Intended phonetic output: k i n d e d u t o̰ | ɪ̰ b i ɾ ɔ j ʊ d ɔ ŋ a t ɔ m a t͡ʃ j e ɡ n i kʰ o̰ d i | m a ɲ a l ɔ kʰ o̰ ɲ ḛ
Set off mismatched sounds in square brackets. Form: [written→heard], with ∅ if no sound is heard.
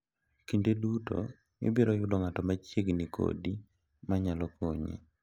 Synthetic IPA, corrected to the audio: k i n d e d u t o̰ | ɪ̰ b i ɾ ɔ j ʊ d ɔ ŋ a t ɔ m a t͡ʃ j e ɡ n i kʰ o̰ d i | m a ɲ a l ɔ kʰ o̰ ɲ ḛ